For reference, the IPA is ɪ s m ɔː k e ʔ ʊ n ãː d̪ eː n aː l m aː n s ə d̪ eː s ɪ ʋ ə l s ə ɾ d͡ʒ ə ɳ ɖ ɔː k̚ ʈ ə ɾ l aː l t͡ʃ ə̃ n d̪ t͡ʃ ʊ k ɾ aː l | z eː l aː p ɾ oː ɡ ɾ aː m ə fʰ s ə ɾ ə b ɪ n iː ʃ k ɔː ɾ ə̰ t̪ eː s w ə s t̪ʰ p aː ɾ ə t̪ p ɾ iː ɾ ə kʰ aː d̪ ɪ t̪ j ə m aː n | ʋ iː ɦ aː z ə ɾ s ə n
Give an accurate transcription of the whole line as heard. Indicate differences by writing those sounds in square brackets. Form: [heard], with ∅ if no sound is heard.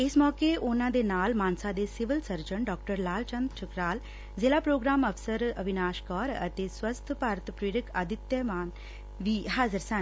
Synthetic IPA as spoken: ɪ s m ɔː k e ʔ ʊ n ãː d̪ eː n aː l m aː n s [a] d̪ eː s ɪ ʋ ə l s ə ɾ d͡ʒ ə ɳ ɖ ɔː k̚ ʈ ə ɾ l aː l t͡ʃ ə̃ n d̪ t͡ʃ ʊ k ɾ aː l | z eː l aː p ɾ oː ɡ ɾ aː m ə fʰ s ə ɾ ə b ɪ n [aː] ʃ k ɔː ɾ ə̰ t̪ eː s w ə s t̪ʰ p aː ɾ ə t̪ p ɾ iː ɾ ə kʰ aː d̪ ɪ t̪ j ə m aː n | ʋ iː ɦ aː z ə ɾ s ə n